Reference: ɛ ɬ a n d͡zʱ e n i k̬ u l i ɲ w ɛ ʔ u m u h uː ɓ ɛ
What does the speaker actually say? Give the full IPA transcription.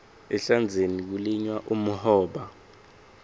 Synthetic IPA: ɛ ɬ a n d͡zʱ e n i k̬ u l i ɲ w a ʔ u m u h ɔː ɓ a